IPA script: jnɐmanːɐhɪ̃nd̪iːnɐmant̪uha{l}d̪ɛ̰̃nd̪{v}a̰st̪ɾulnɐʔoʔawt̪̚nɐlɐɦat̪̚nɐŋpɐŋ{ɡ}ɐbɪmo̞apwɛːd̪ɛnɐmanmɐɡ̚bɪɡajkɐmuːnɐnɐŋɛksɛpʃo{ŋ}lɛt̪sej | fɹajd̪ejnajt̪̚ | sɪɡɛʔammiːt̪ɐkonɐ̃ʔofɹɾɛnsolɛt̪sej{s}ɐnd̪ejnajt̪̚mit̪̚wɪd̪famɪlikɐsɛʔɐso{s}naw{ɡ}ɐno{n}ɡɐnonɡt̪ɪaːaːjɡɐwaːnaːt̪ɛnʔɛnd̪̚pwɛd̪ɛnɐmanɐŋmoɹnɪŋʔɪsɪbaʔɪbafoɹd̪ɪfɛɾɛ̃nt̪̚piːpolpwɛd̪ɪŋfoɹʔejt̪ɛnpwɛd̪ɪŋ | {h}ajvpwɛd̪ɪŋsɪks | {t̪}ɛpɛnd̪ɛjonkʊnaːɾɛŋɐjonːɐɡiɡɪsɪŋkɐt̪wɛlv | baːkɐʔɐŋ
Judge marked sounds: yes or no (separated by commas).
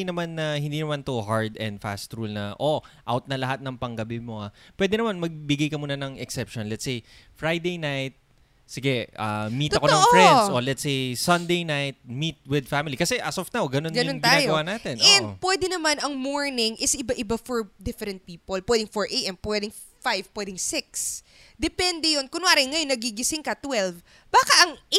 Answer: no, no, yes, no, yes, no, yes, yes, no, no